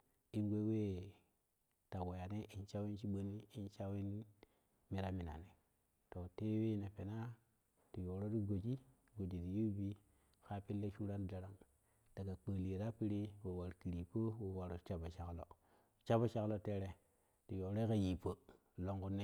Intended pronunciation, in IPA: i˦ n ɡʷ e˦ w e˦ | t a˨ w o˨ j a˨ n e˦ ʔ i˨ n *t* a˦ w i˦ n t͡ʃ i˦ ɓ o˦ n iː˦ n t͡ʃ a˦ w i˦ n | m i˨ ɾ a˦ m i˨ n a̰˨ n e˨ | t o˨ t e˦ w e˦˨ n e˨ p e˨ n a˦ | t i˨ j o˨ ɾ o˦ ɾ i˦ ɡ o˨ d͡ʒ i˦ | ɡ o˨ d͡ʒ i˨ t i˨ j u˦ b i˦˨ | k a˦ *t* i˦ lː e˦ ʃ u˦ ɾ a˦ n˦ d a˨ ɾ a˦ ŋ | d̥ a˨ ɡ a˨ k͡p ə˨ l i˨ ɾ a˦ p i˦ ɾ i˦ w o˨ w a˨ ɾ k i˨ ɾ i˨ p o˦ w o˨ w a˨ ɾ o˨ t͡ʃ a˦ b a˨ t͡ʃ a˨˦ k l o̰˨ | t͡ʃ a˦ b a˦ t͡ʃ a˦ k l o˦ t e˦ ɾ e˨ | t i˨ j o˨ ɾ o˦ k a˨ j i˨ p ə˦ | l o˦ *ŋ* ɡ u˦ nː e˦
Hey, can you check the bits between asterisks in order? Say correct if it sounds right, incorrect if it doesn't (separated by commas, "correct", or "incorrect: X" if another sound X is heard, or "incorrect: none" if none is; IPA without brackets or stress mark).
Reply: incorrect: t͡ʃ, incorrect: p, correct